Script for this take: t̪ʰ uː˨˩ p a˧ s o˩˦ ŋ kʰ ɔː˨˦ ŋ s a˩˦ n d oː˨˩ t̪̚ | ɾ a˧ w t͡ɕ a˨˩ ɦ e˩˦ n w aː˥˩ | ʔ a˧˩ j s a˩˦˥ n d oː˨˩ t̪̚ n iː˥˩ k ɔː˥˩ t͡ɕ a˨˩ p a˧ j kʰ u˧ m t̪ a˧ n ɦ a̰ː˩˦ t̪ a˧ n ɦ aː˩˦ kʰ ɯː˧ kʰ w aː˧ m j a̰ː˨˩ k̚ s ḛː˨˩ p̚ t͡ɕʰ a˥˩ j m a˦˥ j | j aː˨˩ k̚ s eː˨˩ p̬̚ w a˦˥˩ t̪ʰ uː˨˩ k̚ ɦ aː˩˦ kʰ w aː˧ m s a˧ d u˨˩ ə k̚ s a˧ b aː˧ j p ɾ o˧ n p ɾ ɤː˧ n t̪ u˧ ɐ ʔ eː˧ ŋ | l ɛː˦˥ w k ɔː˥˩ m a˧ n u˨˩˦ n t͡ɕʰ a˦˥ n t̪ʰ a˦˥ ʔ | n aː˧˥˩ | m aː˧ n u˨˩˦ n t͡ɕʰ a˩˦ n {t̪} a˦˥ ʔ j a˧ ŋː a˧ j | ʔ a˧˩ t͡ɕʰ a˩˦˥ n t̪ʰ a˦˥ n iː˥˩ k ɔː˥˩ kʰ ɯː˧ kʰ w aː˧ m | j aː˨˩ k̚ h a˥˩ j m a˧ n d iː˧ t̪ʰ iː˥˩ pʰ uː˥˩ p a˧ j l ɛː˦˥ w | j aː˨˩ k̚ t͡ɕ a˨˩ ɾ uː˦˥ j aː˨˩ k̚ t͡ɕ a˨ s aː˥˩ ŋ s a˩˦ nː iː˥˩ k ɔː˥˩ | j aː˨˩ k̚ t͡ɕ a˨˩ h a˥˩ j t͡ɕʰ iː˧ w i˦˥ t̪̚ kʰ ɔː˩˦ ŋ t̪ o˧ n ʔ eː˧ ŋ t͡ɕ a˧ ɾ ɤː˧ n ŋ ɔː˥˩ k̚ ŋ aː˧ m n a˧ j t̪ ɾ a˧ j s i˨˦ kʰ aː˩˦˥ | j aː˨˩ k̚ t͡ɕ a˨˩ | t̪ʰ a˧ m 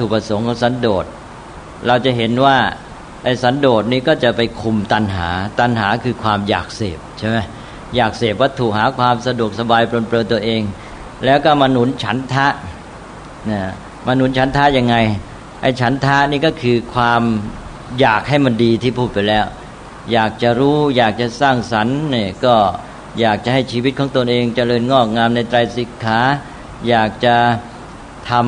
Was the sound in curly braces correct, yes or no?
no